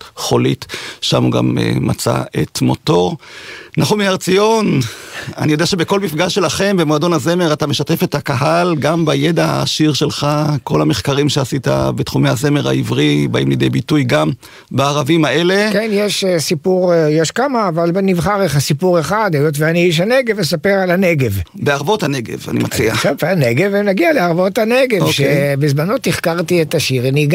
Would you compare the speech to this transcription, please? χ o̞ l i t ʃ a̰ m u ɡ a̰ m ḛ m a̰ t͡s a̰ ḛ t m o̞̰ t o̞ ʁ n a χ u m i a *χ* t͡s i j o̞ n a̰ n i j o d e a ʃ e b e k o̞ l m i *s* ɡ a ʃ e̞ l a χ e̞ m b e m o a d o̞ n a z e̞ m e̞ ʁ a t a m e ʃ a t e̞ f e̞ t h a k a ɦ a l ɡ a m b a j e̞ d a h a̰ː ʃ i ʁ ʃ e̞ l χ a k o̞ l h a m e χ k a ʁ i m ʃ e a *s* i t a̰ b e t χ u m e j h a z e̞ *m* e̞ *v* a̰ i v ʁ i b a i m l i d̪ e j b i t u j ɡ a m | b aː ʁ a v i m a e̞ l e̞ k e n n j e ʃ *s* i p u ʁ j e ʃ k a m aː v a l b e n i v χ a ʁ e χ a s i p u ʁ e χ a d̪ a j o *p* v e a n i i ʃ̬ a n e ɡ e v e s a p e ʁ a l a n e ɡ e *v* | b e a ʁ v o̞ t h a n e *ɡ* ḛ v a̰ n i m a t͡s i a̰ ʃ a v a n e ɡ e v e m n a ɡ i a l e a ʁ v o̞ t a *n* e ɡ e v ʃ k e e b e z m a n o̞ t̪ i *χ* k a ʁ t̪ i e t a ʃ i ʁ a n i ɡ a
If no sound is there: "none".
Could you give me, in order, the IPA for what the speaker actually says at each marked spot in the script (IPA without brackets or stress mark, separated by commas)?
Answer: ʁ, f, s, m, ʁ, s, t, v, ɡ, n, χ